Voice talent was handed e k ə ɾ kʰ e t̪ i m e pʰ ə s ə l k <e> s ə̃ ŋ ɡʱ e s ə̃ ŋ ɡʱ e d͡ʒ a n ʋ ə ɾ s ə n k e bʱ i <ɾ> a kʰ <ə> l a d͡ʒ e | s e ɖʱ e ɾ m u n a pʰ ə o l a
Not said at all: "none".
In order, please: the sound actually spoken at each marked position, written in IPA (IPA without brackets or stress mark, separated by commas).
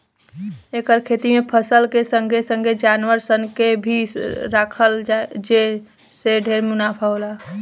e, ɾ, ə